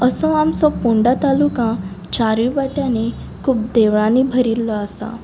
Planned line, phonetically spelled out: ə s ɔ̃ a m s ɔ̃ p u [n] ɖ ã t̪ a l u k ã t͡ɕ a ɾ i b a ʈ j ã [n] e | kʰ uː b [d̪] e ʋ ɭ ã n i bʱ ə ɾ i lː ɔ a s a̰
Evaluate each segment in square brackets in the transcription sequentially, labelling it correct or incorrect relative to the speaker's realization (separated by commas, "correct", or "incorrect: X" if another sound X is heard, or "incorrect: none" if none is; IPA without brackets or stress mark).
incorrect: ɳ, correct, correct